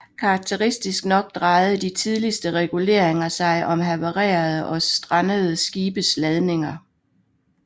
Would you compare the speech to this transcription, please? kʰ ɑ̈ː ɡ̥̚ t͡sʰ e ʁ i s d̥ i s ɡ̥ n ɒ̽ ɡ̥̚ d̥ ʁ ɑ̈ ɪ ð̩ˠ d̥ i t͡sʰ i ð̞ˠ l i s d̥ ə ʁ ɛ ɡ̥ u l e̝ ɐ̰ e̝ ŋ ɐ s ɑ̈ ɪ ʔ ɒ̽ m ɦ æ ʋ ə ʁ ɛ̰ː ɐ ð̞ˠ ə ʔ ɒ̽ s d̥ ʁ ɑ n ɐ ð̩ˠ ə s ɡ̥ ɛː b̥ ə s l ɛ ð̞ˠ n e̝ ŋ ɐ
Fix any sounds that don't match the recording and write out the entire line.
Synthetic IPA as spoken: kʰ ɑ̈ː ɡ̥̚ t͡sʰ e ʁ i s d̥ i s ɡ̥ n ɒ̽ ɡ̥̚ d̥ ʁ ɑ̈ ɪ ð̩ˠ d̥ i t͡sʰ i ð̞ˠ l i s d̥ ə ʁ ɛ ɡ̥ u l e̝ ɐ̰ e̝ ŋ ɐ s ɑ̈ ɪ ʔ ɒ̽ m ɦ æ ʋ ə ʁ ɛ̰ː ɐ ð̞ˠ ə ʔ ɒ̽ s d̥ ʁ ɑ n ə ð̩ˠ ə s ɡ̥ iː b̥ ə s l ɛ ð̞ˠ n e̝ ŋ ɐ

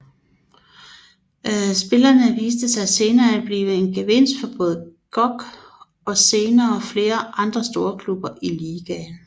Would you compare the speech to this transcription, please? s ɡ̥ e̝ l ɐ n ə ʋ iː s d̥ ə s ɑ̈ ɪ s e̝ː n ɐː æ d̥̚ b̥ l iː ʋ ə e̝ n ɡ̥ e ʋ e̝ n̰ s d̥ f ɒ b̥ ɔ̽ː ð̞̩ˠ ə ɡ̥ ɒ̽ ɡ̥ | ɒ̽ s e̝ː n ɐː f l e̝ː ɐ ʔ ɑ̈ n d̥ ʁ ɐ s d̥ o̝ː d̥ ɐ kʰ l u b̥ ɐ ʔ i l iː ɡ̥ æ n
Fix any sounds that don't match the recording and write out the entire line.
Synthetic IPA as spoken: s b̥ e̝ l ɐ n ə ʋ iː s d̥ ə s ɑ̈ ɪ s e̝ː n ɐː æ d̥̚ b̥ l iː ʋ ə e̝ n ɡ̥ e ʋ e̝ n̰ s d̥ f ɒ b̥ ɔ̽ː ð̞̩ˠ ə ɡ̥ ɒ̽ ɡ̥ | ɒ̽ s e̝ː n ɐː f l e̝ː ɐ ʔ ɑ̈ n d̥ ʁ ɐ s d̥ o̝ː ɐ kʰ l u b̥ ɐ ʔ i l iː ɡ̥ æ n

